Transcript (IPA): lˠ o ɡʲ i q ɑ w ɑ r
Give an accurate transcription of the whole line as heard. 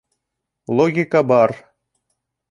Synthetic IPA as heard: lˠ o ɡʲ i k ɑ b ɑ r